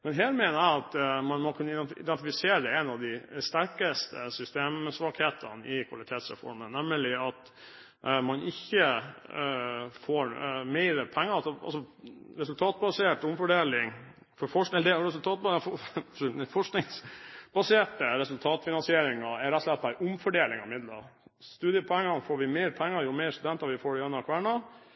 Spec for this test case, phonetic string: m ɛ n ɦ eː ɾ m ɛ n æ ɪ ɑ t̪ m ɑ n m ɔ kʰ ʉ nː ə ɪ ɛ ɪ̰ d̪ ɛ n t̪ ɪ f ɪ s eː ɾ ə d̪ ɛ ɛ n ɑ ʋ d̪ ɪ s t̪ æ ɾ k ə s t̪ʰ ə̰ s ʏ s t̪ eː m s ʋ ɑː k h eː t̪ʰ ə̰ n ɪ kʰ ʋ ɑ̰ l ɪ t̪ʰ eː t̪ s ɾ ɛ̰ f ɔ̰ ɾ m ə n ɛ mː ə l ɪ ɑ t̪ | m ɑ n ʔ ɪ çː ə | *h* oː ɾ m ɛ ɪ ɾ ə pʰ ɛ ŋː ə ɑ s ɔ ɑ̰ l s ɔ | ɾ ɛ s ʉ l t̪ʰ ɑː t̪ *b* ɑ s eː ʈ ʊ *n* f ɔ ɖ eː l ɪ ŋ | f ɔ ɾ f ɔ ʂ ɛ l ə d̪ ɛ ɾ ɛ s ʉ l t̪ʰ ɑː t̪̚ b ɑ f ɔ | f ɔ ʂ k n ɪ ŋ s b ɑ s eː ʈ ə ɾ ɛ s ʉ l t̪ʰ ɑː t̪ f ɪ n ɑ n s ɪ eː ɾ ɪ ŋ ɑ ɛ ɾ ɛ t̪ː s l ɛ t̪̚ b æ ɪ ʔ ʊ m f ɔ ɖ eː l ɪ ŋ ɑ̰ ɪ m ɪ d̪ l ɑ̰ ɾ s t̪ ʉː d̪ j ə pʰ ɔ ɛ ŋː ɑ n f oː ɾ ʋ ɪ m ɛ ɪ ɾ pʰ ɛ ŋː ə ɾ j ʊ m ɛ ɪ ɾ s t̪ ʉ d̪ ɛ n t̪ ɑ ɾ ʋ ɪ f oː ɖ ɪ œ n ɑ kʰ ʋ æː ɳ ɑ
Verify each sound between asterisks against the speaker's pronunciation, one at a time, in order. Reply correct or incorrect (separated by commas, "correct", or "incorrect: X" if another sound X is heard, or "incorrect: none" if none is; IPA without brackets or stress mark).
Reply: incorrect: f, correct, incorrect: m